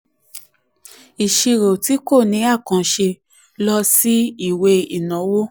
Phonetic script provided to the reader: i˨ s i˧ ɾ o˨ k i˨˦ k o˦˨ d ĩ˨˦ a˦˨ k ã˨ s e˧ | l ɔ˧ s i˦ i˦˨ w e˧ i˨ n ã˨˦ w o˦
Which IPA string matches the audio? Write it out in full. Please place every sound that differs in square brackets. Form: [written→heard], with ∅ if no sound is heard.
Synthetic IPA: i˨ [s→ʃ] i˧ ɾ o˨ [k→t] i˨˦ k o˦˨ [d→n] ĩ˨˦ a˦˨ k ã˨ [s→ʃ] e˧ | l ɔ˧ s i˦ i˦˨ w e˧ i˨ n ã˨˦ w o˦